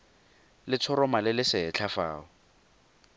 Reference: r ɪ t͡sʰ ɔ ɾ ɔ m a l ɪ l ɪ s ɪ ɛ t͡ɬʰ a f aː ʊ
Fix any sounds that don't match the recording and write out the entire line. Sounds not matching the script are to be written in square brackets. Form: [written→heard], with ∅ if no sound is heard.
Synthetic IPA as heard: [r→l] ɪ t͡sʰ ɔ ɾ ɔ m a l ɪ l ɪ s ɪ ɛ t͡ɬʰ a f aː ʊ